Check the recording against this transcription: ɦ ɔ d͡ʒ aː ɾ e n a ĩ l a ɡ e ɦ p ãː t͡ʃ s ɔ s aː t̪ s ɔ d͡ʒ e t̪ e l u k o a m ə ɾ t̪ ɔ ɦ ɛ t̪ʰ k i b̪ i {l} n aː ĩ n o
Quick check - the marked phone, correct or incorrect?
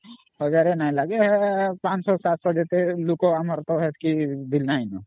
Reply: correct